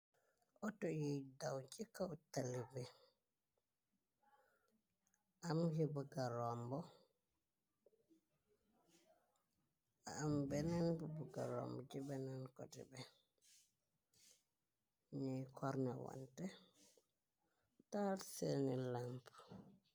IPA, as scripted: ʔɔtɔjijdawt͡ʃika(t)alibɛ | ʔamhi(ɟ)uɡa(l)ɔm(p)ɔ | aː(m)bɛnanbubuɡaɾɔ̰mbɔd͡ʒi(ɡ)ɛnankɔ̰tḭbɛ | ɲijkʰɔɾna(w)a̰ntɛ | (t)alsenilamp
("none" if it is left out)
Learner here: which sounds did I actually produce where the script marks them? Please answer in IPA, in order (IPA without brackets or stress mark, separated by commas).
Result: t, b, ɾ, b, m, b, w, t